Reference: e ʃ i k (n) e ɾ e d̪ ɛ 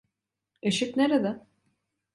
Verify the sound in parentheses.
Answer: correct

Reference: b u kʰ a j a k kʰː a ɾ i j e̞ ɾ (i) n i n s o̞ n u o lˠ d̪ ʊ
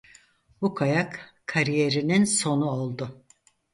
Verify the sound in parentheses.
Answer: correct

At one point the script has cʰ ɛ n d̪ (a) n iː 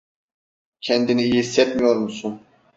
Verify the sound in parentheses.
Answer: incorrect: i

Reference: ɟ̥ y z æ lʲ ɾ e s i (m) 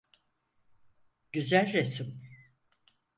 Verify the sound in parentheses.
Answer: correct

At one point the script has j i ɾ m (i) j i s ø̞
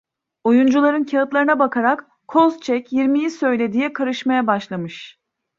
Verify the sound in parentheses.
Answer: correct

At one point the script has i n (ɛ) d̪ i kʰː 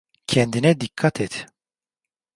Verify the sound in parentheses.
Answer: correct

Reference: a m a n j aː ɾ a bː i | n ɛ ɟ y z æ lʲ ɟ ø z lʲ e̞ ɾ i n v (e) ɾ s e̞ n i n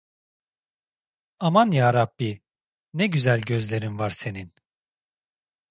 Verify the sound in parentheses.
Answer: incorrect: a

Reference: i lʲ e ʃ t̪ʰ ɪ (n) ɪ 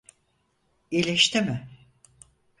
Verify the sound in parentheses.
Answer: incorrect: m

